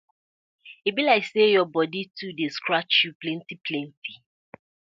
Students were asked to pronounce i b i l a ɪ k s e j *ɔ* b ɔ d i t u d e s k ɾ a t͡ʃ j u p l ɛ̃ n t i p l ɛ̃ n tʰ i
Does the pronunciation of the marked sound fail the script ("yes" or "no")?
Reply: no